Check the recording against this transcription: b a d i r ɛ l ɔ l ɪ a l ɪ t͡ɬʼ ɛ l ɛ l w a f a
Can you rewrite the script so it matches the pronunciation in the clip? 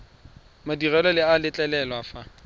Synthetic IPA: m a d i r ɛ l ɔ l ɪ a l ɪ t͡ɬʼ ɛ l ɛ l w a f a